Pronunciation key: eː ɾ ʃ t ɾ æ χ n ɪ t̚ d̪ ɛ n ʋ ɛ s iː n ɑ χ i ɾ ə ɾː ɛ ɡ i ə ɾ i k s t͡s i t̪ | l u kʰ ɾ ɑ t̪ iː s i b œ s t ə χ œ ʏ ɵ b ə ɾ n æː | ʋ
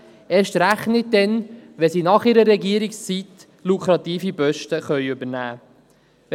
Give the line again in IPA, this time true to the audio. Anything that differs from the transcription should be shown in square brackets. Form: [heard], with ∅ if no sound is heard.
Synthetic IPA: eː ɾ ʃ t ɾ æ χ n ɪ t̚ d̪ ɛ n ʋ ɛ s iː n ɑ χ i ɾ ə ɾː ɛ ɡ i ə ɾ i k s t͡s i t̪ | l u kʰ ɾ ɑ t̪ iː [f] i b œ [ʃ] t ə χ œ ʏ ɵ b ə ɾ n æː | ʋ